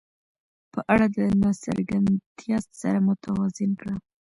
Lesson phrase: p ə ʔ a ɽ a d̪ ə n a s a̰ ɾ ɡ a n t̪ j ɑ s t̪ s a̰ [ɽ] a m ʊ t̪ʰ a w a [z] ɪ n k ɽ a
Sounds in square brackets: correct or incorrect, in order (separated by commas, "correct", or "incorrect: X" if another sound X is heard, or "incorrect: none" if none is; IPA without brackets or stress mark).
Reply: incorrect: ɾ, correct